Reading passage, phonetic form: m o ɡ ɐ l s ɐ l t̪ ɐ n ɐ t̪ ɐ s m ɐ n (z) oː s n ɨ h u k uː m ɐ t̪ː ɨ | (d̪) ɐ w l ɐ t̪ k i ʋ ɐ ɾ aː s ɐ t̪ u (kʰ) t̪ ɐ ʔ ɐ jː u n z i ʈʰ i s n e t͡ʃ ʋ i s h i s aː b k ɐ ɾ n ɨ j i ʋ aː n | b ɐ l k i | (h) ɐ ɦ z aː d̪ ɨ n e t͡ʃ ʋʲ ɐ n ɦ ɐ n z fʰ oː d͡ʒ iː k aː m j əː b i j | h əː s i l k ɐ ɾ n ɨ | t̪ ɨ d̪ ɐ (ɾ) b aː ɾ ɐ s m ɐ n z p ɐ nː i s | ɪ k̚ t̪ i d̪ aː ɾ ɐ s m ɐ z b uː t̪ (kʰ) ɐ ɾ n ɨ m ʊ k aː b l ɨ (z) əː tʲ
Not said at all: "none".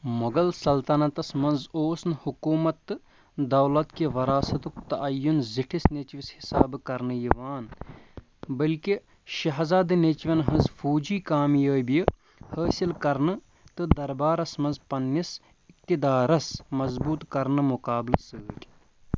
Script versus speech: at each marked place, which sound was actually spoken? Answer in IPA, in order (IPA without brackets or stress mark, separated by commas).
z, d̪, k, ʃ, ɾ, k, s